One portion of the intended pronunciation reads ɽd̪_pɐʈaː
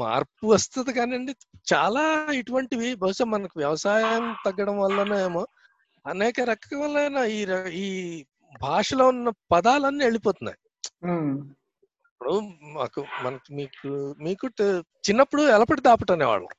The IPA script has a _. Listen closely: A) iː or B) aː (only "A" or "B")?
B